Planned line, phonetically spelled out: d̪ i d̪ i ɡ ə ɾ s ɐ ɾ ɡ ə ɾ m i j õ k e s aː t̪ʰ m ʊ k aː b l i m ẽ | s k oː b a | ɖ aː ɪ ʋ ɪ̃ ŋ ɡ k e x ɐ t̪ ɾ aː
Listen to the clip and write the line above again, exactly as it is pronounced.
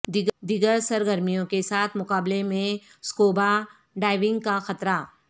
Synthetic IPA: d̪ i d̪ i ɡ ə ɾ s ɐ ɾ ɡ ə ɾ m i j õ k e s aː t̪ʰ m ʊ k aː b l e m ẽ | s k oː b a | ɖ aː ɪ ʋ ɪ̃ ŋ ɡ k a x ɐ t̪ ɾ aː

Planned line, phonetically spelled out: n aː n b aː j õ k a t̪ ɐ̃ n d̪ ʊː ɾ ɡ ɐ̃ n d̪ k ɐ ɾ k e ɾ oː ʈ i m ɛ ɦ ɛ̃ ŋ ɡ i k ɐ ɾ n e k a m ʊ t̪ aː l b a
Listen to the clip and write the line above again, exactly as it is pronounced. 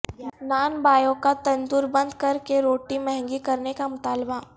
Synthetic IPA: n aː n b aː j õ k a t̪ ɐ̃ n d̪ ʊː ɾ b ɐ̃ n d̪ k ɐ ɾ k e ɾ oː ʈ i m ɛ ɦ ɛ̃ ŋ ɡ i k ɐ ɾ n e k a m ʊ t̪ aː l b a

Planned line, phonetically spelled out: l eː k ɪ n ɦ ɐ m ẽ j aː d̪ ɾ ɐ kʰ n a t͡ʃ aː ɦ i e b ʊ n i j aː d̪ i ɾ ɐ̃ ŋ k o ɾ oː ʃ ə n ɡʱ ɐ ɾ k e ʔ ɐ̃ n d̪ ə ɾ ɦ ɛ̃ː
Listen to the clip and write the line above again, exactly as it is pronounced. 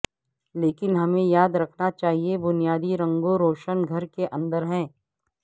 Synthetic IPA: l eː k ɪ n ɦ ɐ m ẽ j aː d̪ ɾ ɐ kʰ n a t͡ʃ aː ɦ i e b ʊ n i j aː d̪ i ɾ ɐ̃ ŋ ɡ o ɾ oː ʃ ə n ɡʱ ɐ ɾ k e ʔ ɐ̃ n d̪ ə ɾ ɦ ɛ̃ː

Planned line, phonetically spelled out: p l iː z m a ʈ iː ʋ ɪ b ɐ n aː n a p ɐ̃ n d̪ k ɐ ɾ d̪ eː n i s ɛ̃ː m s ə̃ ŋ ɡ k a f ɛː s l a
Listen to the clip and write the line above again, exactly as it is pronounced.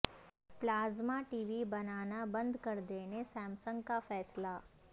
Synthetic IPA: p l aː z m a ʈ iː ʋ i b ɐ n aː n a b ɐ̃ n d̪ k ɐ ɾ d̪ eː n e s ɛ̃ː m s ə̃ ŋ ɡ k a f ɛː s l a

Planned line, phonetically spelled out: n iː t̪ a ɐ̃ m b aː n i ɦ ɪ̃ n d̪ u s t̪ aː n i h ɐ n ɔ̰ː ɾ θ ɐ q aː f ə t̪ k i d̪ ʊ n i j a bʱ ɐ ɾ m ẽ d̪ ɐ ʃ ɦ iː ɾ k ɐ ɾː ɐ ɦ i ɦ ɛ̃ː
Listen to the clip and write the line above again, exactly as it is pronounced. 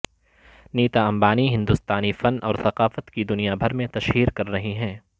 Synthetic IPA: n iː t̪ a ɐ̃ m b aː n i ɦ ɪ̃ n d̪ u s t̪ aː n i f ɐ n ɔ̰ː ɾ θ ɐ q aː f ə t̪ k i d̪ ʊ n i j a bʱ ɐ ɾ m ẽ t̪ ɐ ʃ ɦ iː ɾ k ɐ ɾː ɐ ɦ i ɦ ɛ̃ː

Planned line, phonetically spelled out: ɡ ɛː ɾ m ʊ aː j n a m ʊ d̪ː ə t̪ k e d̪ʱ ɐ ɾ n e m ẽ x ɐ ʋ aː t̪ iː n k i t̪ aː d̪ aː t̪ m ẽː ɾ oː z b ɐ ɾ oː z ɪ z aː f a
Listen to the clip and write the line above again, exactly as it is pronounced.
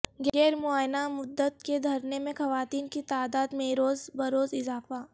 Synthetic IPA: ɡ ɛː ɾ m ʊ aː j n a m ʊ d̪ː ə t̪ k e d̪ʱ ɐ ɾ n e m ẽ x ɐ ʋ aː t̪ iː n k i t̪ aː d̪ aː d̪ m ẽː ɾ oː z b ɐ ɾ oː z ɪ z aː f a

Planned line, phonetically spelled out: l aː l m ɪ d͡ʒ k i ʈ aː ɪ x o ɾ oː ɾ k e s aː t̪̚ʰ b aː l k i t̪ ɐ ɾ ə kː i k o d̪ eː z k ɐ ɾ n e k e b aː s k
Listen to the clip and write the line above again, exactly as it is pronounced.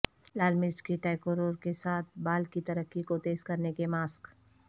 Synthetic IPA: l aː l m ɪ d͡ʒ k i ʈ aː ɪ k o ɾ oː ɾ k e s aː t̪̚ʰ b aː l k i t̪ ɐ ɾ ə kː i k o t̪ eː z k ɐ ɾ n e k e m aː s k

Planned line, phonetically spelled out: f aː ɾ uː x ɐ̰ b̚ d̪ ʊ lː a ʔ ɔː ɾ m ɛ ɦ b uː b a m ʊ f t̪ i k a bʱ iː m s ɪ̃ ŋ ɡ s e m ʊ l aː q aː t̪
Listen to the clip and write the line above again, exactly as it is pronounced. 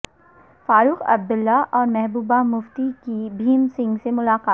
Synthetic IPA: f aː ɾ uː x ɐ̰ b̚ d̪ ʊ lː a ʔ ɔː ɾ m ɛ ɦ b uː b a m ʊ f t̪ i k i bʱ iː m s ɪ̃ ŋ ɡ s e m ʊ l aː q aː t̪

